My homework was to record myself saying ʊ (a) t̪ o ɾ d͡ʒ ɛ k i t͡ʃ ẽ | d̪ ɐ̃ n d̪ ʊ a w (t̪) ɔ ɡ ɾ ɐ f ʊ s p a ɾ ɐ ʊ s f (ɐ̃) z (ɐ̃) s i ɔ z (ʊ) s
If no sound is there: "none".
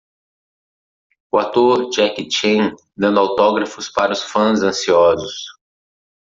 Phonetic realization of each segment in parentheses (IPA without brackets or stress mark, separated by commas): a, t̪, ɐ̃, ɐ̃, ʊ